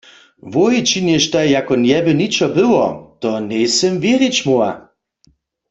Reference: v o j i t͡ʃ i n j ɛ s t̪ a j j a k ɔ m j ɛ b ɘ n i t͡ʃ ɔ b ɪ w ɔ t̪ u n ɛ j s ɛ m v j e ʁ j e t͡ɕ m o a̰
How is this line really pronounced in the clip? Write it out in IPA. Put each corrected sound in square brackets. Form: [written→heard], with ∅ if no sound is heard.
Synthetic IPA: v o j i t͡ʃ i n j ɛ [s→ʃ] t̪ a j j a k ɔ [m→n] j ɛ b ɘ n i t͡ʃ ɔ b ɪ w ɔ t̪ [u→ɔ] n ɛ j s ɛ m v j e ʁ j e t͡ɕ m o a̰